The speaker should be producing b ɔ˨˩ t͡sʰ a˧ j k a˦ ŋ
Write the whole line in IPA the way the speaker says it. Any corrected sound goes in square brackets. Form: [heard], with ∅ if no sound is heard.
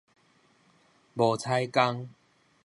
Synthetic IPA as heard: b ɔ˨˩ t͡sʰ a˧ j k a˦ ŋ

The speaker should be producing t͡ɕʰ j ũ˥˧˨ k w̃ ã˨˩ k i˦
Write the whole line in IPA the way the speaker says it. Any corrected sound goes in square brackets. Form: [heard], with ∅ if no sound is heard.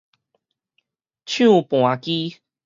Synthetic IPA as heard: t͡ɕʰ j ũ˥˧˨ [p] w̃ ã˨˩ k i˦

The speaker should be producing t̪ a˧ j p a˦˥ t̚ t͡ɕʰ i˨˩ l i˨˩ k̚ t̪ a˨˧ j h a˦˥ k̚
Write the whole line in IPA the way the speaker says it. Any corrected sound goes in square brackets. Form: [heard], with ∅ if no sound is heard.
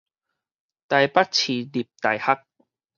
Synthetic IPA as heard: t̪ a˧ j p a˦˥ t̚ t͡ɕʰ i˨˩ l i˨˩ [p̚] t̪ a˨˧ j h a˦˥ k̚

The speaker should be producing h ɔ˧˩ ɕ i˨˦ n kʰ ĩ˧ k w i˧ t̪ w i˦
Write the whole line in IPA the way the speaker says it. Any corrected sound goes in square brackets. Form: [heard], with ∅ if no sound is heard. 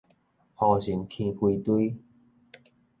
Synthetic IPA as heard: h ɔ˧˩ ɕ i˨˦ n kʰ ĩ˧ k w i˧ t̪ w i˦

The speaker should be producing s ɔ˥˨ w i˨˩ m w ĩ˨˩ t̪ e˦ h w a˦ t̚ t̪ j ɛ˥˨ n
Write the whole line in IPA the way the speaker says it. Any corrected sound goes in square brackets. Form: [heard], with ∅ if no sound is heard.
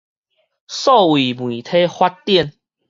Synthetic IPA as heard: s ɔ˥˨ w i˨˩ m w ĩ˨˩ [t̪ʰ] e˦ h w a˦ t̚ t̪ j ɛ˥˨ n

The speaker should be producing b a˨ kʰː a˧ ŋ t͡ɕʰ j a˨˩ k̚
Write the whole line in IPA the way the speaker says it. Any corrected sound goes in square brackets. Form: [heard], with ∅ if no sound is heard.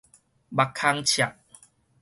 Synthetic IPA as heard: b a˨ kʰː a˧ ŋ t͡ɕʰ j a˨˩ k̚

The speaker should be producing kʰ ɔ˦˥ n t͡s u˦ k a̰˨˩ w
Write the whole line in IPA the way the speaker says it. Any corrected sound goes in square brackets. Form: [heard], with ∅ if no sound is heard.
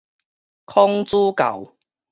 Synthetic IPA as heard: kʰ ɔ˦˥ [ŋ] t͡s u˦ k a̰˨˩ w

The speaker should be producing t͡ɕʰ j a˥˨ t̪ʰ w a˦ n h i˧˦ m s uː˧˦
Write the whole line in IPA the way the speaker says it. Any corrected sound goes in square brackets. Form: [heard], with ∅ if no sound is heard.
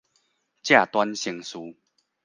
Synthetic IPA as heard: [t͡ɕ] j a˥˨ [t̪] w a˦ n [ɕ] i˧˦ [ŋ] s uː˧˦

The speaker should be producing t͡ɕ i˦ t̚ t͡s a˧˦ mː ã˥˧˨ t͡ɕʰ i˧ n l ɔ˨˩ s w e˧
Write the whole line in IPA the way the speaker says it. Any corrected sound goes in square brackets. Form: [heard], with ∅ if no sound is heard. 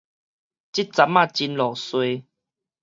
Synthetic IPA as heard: t͡ɕ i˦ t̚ t͡s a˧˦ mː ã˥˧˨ [t͡ɕ] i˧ n l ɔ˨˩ s w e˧

